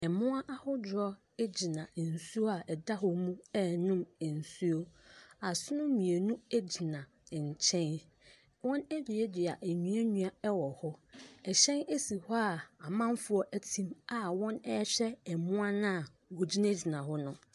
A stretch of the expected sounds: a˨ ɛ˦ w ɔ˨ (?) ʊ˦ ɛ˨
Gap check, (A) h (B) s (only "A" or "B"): A